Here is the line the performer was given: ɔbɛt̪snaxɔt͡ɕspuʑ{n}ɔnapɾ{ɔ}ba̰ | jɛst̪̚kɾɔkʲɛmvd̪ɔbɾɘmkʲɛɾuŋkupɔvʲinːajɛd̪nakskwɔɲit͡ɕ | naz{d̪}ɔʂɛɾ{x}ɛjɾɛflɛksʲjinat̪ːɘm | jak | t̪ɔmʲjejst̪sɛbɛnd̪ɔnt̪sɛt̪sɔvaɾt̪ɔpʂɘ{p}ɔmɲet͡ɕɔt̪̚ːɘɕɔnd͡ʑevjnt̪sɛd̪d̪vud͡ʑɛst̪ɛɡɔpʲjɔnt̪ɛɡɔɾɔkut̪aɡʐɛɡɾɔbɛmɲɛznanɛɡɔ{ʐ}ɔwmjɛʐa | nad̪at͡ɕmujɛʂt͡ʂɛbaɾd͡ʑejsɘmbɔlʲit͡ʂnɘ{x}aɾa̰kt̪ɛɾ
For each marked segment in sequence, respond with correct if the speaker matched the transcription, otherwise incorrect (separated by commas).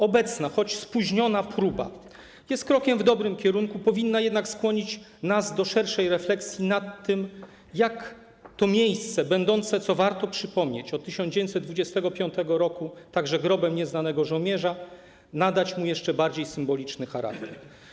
incorrect, incorrect, correct, incorrect, correct, correct, correct